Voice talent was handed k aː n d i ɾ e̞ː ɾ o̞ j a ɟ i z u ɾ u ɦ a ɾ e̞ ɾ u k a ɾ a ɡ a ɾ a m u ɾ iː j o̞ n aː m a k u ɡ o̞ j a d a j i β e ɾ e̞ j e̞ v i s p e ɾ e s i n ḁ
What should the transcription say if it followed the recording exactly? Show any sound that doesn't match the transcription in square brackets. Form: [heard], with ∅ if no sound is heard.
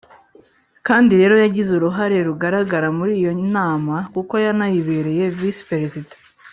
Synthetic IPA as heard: k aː n d i ɾ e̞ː ɾ o̞ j a ɟ i z u ɾ u ɦ a ɾ e̞ ɾ u [ɡ] a ɾ a ɡ a ɾ a m u ɾ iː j o̞ n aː m a k u [k] o̞ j a [n] a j i β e ɾ e̞ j e̞ v i s p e ɾ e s i [d] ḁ